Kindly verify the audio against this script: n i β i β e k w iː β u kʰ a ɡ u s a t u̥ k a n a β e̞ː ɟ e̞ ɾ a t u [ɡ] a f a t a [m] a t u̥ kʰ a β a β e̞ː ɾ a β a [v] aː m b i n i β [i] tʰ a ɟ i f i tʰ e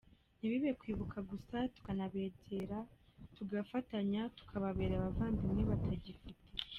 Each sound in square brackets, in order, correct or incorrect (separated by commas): correct, incorrect, correct, incorrect